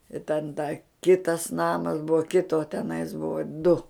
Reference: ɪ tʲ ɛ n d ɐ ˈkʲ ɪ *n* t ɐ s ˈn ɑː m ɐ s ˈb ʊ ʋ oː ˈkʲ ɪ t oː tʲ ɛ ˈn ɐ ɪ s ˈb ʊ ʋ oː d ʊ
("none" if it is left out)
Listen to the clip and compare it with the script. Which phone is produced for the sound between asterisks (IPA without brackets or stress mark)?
none